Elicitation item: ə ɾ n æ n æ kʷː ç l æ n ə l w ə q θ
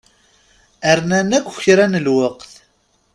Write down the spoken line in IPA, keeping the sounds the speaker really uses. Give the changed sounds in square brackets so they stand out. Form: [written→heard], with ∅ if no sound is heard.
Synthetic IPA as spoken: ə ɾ n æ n æ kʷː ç [l→ɾ] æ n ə l w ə q θ